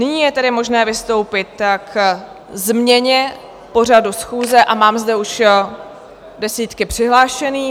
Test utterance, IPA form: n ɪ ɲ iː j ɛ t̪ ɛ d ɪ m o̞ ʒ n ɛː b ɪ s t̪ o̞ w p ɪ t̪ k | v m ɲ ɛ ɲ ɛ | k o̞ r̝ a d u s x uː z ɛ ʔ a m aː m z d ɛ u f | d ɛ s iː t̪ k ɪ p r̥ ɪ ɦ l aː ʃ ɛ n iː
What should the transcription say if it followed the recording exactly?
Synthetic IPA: n ɪ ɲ iː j ɛ t̪ ɛ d ɪ m o̞ ʒ n ɛː v ɪ s t̪ o̞ w p ɪ t̪ k | z m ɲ ɛ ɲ ɛ | p o̞ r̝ a d u s x uː z ɛ ʔ a m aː m z d ɛ u ʃ | d ɛ s iː t̪ k ɪ p r̥ ɪ ɦ l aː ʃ ɛ n iː